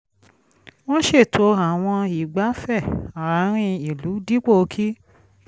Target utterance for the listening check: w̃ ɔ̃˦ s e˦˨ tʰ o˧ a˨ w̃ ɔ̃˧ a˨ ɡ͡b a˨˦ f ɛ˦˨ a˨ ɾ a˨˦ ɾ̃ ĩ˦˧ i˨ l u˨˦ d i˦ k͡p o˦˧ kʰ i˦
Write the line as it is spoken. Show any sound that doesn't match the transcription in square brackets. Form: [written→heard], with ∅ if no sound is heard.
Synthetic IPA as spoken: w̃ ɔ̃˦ [s→ʃ] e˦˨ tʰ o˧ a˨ w̃ ɔ̃˧ [a˨→i˨] ɡ͡b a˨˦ f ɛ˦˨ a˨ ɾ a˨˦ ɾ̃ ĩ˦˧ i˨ l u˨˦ d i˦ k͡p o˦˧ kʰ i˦